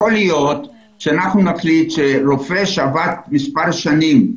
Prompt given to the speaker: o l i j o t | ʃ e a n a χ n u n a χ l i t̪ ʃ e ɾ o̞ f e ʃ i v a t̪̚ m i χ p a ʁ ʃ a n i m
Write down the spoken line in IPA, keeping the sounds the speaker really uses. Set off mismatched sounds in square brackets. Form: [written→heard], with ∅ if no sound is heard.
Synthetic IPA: o l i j o t | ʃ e a n a χ n u n a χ l i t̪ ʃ e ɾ o̞ f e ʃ [i→a] v a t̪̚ m i [χ→s] p a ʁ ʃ a n i m